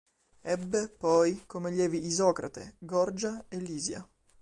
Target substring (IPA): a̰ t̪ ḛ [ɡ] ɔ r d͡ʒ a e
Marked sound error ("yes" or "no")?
no